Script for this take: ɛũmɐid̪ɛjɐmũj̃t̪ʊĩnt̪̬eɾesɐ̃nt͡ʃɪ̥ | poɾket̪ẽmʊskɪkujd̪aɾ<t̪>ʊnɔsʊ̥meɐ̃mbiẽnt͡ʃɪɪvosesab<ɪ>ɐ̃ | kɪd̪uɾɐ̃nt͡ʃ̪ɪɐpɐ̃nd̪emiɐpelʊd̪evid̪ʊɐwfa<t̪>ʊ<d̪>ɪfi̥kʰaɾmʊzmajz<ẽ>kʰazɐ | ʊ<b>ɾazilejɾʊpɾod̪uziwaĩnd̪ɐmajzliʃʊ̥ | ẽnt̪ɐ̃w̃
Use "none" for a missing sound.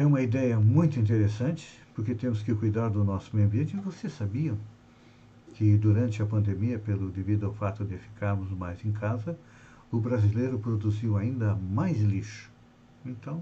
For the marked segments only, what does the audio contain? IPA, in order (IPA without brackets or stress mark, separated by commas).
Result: d̪, i, t̪, d̪, ẽ, b